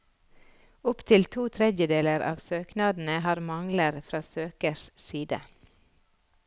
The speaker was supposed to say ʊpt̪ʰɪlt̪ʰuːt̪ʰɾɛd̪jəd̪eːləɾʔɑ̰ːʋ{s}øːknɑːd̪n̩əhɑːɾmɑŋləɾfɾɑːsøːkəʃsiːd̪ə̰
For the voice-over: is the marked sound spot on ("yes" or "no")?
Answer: yes